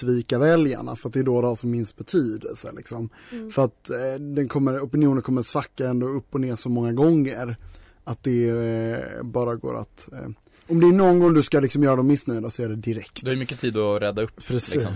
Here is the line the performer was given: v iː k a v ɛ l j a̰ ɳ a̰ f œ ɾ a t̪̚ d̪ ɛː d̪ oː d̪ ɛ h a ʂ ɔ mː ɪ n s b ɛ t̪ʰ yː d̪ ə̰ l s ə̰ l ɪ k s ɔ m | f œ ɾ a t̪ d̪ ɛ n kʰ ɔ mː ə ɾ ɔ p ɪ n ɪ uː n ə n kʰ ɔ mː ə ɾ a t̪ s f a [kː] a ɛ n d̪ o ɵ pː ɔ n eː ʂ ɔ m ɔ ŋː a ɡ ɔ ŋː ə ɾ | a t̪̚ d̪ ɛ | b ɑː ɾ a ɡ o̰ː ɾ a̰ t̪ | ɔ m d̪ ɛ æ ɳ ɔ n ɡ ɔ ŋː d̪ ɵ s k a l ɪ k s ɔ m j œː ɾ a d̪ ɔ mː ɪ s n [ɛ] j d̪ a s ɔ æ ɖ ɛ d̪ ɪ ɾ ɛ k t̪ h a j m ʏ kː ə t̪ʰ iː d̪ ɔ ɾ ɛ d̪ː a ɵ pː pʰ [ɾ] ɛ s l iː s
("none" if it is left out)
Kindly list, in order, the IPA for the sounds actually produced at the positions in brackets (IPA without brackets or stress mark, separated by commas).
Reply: kː, œ, ɾ